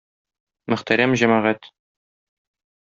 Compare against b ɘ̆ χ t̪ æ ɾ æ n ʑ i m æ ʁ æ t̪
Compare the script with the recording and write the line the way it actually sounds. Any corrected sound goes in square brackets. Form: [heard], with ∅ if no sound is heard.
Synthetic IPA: [m] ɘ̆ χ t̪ æ ɾ æ [m] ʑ [æ] m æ ʁ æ t̪